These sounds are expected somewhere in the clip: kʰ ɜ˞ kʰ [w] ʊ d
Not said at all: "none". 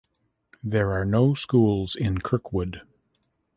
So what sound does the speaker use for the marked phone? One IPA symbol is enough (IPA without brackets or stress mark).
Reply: w